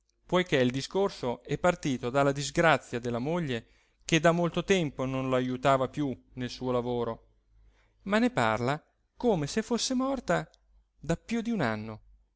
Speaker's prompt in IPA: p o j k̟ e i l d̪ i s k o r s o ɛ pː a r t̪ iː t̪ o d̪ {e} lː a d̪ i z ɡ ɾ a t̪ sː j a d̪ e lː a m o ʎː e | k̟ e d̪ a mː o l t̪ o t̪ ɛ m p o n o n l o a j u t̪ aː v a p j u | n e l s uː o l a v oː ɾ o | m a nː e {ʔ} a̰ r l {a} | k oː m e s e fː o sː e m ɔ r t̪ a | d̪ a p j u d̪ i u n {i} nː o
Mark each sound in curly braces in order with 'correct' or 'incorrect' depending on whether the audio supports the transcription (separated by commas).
incorrect, incorrect, correct, incorrect